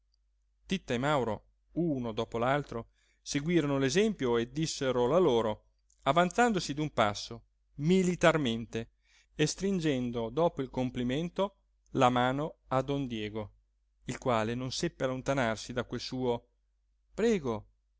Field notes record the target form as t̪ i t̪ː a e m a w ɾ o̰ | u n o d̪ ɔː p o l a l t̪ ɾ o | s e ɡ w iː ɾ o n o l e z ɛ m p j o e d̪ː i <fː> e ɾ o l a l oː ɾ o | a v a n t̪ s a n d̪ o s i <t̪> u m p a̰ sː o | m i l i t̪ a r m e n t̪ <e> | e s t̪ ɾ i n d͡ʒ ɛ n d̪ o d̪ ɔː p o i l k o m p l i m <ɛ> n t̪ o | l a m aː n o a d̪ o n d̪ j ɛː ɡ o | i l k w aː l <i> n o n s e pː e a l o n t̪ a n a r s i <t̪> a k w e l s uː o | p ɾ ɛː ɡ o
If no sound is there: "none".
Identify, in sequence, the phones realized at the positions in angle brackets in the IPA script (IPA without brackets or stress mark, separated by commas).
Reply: sː, d̪, e, e, e, d̪